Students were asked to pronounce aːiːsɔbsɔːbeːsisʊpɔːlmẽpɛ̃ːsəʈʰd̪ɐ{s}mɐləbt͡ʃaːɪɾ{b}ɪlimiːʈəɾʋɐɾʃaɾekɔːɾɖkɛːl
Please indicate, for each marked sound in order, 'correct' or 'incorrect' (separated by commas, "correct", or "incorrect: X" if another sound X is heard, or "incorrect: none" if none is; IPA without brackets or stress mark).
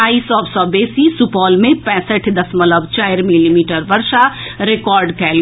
correct, incorrect: m